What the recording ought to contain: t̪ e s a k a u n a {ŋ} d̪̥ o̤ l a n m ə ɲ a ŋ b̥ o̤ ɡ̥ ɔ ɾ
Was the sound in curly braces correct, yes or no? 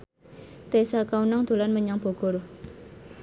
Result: yes